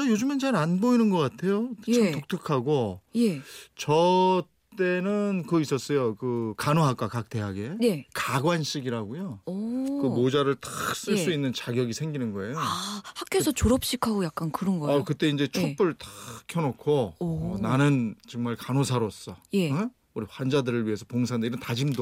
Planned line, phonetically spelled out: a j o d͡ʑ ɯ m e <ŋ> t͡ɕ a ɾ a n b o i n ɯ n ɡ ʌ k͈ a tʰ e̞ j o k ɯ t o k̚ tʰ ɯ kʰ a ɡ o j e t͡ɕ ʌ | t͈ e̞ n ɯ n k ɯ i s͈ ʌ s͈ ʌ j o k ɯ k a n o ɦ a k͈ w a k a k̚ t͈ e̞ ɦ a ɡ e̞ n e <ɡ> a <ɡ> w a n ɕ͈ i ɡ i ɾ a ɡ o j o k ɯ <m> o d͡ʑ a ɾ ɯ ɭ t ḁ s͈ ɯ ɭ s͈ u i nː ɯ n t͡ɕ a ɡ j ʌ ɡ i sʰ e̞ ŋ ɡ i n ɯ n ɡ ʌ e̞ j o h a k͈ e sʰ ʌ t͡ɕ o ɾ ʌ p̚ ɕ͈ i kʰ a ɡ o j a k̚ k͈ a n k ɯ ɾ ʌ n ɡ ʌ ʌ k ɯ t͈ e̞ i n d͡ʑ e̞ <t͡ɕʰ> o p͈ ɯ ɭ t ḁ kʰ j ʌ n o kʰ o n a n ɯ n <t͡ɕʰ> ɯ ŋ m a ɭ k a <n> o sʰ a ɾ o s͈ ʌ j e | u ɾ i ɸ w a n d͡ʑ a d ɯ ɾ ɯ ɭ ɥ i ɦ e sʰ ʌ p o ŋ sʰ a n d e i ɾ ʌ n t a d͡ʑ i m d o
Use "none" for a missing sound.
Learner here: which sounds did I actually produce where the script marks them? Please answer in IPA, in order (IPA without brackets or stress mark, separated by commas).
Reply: n, k, ɡ, m, t͡ɕʰ, t͡ɕ, n